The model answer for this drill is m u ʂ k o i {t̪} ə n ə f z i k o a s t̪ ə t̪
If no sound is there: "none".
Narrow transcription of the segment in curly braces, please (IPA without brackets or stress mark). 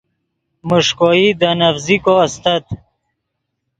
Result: d̪